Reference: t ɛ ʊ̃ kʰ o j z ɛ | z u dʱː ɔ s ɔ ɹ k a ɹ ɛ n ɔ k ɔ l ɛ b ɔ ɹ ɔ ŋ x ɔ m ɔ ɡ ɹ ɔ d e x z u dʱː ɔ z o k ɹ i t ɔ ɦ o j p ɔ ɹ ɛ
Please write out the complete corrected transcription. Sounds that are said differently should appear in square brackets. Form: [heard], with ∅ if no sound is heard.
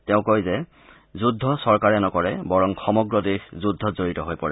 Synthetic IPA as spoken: t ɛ ʊ̃ [k] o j z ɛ | z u dʱː ɔ s ɔ ɹ k a ɹ ɛ n ɔ k ɔ [ɹ] ɛ b ɔ ɹ ɔ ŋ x ɔ m ɔ ɡ ɹ ɔ d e x z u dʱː ɔ z o [∅] ɹ i t ɔ ɦ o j p ɔ ɹ ɛ

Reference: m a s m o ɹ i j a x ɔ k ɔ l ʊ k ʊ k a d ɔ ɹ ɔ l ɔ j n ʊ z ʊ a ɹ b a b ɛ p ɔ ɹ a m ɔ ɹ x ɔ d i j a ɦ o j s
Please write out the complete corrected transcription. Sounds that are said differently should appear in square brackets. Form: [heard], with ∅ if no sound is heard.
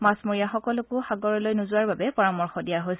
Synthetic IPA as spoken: m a s m o ɹ i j a x ɔ k ɔ l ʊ k ʊ [x] a [ɡ] ɔ ɹ ɔ l [o] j n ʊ z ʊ a ɹ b a b ɛ p ɔ ɹ a m ɔ ɹ x ɔ d i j a ɦ o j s

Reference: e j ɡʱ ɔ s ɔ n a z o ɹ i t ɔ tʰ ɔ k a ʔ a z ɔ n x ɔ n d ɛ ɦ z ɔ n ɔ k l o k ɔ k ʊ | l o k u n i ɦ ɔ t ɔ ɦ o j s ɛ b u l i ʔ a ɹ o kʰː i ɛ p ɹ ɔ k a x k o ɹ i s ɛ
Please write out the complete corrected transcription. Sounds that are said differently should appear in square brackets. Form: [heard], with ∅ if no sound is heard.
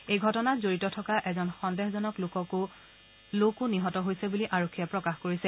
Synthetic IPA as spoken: e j ɡʱ ɔ [t] ɔ n a z o ɹ i t ɔ tʰ ɔ k a ʔ [ɛ] z ɔ n x ɔ n d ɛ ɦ z ɔ n ɔ k l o k ɔ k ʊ | l o k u n i ɦ ɔ t ɔ ɦ o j s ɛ b u l i ʔ a ɹ o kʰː i ɛ p ɹ ɔ k a x k o ɹ i s ɛ

